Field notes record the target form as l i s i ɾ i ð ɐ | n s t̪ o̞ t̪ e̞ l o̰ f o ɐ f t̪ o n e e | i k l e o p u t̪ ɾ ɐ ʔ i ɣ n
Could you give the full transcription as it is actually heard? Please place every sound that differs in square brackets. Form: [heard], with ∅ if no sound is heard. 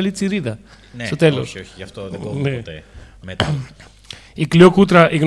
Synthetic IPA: l i [t͡s] i ɾ i ð ɐ | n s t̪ o̞ t̪ e̞ l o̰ [s] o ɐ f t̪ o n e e | i k l [i] o [k] u t̪ ɾ ɐ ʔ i ɣ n